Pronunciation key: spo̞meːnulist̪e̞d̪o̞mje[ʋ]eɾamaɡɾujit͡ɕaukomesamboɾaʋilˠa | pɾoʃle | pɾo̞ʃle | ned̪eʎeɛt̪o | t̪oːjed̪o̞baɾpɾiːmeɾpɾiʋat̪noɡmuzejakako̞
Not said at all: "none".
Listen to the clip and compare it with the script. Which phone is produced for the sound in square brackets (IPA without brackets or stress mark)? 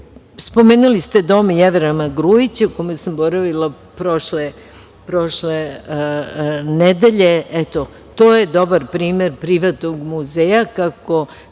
ʋ